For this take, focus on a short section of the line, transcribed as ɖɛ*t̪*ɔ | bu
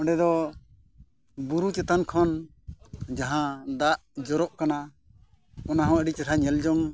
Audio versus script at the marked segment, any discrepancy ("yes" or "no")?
yes